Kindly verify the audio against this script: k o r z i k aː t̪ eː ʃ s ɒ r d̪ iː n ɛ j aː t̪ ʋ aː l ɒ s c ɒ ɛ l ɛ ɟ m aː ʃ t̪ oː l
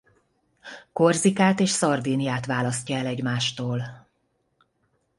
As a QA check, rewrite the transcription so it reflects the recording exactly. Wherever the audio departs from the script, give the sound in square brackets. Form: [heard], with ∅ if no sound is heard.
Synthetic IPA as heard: k o r z i k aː t̪ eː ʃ s ɒ r d̪ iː n [i] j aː t̪ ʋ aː l ɒ s c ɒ ɛ l ɛ ɟ m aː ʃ t̪ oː l